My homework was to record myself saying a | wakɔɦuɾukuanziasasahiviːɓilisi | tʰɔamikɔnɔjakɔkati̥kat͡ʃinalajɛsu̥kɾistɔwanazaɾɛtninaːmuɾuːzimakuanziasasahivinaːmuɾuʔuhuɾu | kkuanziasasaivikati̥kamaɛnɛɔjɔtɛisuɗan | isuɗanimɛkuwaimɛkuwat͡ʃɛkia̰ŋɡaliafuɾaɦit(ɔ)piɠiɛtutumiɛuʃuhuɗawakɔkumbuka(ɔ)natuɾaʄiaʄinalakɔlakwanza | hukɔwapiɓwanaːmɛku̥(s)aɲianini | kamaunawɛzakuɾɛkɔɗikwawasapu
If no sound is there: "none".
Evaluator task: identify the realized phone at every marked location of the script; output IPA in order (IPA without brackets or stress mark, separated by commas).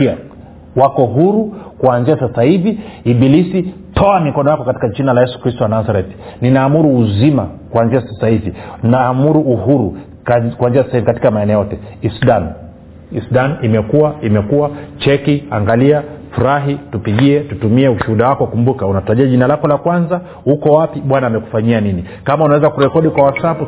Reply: u, u, f